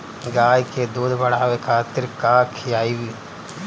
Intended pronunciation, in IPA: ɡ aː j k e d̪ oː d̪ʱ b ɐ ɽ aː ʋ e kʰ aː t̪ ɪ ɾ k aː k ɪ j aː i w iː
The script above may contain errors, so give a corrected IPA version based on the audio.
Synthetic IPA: ɡ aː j k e d̪ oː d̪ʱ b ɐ ɽ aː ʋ e kʰ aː t̪ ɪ ɾ k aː kʰ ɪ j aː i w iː